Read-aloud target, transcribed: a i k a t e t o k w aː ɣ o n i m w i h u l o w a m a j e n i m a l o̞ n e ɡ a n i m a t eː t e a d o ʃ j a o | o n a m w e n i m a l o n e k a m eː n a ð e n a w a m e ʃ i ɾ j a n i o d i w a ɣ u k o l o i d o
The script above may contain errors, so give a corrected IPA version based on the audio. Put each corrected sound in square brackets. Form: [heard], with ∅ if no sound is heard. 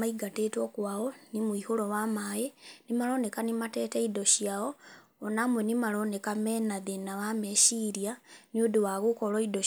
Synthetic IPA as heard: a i [ɡ] a t e t o k w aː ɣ o n i m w i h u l o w a m a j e n i m a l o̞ n e [k] a n i m a t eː t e [i] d o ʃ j a o | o n a m w e n i m a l o n e k a m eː n a ð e n a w a m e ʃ i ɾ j a n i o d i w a ɣ u k o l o i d o

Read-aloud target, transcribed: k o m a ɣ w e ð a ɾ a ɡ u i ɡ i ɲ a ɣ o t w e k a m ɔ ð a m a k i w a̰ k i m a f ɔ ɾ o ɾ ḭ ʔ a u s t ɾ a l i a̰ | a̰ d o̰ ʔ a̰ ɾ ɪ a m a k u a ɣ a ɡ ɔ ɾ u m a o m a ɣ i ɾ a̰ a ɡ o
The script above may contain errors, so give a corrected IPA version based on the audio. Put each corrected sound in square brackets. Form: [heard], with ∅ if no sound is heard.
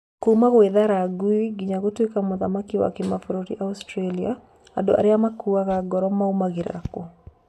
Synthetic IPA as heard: k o m a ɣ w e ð a ɾ a ɡ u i ɡ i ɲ a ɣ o t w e k a m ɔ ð a m a k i w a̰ k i m a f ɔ ɾ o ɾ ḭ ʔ a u s t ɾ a l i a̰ | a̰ d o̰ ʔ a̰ ɾ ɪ a m a k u a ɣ a ɡ ɔ ɾ [ɔ] m a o m a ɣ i ɾ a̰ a [k] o

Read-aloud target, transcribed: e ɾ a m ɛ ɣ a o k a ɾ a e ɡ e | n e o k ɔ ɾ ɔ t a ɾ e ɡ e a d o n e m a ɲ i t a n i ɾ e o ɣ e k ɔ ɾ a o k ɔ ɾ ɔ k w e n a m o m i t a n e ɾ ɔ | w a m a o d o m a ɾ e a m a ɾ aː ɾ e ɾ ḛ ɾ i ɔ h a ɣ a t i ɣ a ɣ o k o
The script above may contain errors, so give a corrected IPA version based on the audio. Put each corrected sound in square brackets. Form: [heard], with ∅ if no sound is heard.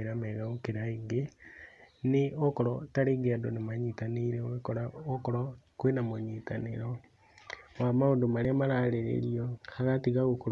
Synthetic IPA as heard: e ɾ a m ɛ ɣ a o k [e] ɾ a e ɡ e | n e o k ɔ ɾ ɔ t a ɾ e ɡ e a d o n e m a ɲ i t a n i ɾ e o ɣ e k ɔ ɾ a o k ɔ ɾ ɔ k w e n a m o [ɲ] i t a n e ɾ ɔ | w a m a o d o m a ɾ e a m a ɾ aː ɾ e ɾ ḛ ɾ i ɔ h a ɣ a t i ɣ a ɣ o k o

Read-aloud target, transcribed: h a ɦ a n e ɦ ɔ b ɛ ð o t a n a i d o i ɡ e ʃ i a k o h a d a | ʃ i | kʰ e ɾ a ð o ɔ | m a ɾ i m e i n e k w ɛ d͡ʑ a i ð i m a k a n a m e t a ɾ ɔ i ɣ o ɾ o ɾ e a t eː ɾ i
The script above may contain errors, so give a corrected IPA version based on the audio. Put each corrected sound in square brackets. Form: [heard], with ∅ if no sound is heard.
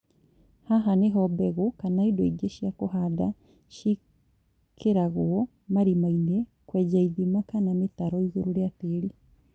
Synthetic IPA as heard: h a ɦ a n e ɦ ɔ b ɛ [ɣ] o [k] a n a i d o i ɡ e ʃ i a k o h a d a | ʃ i | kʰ e ɾ a [ɣ] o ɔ | m a ɾ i m [a] i n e k w ɛ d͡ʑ a i ð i m a k a n a m e t a ɾ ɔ i ɣ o ɾ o ɾ e a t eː ɾ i

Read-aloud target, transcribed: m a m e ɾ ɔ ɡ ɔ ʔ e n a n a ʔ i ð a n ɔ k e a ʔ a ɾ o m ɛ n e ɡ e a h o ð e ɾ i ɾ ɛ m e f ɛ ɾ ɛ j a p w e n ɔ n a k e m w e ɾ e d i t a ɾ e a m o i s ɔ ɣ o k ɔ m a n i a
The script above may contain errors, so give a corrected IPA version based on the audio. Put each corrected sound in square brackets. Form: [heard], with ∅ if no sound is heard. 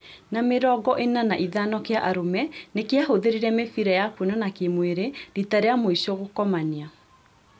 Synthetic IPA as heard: [n] a m e ɾ ɔ ɡ ɔ ʔ e n a n a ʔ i ð a n ɔ k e a ʔ a ɾ o m ɛ n e [k] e a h o ð e ɾ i ɾ ɛ m e f [i] ɾ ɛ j a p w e n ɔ n a k e m w e ɾ e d i t a ɾ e a m o i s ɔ ɣ o k ɔ m a n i a

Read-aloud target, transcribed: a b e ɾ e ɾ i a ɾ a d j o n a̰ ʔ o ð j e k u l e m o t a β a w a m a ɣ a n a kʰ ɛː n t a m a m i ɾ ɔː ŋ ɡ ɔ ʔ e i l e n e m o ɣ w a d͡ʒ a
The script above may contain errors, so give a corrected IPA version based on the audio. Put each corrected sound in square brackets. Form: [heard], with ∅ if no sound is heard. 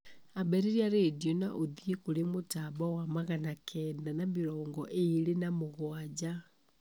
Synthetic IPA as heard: a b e ɾ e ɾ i a ɾ [e] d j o n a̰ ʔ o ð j e k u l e m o t a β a w a m a ɣ a n a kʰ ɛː n [d] a [n] a m i ɾ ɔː ŋ ɡ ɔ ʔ e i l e n [a] m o ɣ w a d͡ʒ a

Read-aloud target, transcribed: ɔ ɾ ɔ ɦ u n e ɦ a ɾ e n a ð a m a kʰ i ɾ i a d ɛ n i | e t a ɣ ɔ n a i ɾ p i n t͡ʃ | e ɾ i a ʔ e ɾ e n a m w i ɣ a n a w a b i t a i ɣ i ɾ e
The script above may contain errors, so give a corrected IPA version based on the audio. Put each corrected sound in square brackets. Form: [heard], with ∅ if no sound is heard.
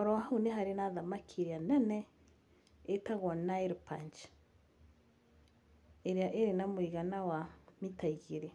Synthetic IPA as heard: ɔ ɾ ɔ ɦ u n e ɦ a ɾ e n a ð a m a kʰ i ɾ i a [n] ɛ n [ɛ] | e t a ɣ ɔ n a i ɾ p [a] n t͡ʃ | e ɾ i a ʔ e ɾ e n a m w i ɣ a n a w a [m] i t a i ɣ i ɾ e

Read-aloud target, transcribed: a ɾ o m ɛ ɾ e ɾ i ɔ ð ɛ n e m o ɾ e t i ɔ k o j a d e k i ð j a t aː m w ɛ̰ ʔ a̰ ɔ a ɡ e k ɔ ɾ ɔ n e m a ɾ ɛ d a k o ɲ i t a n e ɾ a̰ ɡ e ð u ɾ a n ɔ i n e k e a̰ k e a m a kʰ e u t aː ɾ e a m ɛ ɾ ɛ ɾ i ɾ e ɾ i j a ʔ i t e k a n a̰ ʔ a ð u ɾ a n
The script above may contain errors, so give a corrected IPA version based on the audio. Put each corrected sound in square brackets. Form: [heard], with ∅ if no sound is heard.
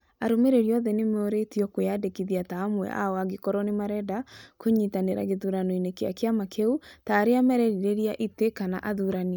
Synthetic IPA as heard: a ɾ o m [e] ɾ e ɾ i ɔ ð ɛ n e m o ɾ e t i ɔ k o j a d e k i ð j a t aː m w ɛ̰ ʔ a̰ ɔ a ɡ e k ɔ ɾ ɔ n e m a ɾ ɛ d a k o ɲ i t a n e ɾ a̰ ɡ e ð u ɾ a n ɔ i n e k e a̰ k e a m a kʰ e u t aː ɾ e a m ɛ ɾ ɛ ɾ i ɾ e ɾ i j a ʔ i t e k a n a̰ ʔ a ð u ɾ a n

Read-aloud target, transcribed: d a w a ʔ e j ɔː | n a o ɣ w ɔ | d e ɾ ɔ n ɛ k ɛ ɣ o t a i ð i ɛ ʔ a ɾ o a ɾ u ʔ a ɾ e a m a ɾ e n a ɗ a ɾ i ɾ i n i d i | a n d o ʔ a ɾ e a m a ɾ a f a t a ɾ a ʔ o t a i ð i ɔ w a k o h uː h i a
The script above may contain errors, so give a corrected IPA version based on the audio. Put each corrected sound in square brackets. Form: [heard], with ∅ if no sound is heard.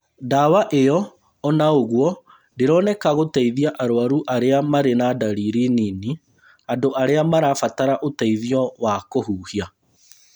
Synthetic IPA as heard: d a w a ʔ e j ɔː | n a o ɣ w ɔ | d e ɾ ɔ n ɛ k [a] ɣ o t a i ð i [a] ʔ a ɾ o a ɾ u ʔ a ɾ e a m a ɾ e n a [d] a ɾ i ɾ i n i [n] i | a n d o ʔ a ɾ e a m a ɾ a f a t a ɾ a ʔ o t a i ð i ɔ w a k o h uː h i a

